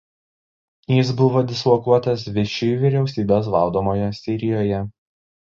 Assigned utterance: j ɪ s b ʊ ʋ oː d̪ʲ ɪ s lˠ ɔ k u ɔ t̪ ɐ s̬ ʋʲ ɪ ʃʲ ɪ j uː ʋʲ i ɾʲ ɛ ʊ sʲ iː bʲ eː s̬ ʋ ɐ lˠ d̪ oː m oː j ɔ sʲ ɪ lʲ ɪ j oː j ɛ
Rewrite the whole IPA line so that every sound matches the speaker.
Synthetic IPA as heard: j ɪ s b ʊ ʋ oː d̪ʲ ɪ s lˠ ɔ k u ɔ t̪ ɐ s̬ ʋʲ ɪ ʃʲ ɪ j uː ʋʲ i ɾʲ ɛ ʊ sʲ iː bʲ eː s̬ ʋ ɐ lˠ d̪ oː m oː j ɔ sʲ ɪ ɾʲ ɪ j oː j ɛ